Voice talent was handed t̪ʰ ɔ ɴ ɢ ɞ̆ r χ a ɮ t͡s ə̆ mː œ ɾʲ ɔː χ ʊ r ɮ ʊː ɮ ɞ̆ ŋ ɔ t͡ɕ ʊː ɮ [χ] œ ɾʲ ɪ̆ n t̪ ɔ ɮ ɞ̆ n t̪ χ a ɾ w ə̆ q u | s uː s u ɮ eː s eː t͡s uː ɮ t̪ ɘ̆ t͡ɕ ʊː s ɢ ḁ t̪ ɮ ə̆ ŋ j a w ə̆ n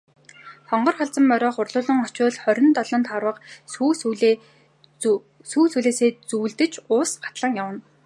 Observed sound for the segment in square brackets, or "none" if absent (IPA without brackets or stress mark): χ